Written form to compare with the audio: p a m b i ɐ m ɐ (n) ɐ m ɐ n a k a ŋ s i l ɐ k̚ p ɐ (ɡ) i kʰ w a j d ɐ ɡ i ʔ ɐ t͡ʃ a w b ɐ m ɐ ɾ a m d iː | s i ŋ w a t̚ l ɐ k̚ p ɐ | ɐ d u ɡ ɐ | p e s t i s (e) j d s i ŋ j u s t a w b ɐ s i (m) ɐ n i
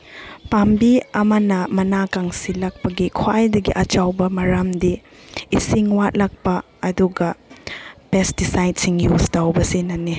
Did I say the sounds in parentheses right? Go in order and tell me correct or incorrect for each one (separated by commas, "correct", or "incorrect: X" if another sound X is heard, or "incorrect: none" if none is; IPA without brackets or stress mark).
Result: correct, correct, incorrect: a, incorrect: n